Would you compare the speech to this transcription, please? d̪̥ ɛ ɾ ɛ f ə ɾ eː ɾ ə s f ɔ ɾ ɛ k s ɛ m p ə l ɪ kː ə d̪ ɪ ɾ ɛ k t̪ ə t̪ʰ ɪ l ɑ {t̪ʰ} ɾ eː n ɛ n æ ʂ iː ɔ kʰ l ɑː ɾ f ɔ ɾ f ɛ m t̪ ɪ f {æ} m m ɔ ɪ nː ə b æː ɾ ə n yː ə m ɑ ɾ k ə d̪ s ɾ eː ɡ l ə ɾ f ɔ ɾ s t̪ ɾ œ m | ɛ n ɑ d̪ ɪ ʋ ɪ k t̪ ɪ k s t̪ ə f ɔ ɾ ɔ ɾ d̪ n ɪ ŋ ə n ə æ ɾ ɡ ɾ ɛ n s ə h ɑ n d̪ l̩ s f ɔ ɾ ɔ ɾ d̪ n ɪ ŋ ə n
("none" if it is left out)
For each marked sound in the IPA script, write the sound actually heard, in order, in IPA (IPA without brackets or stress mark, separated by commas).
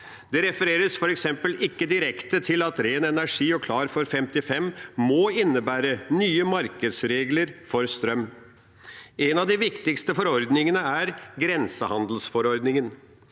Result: t̪, ɛ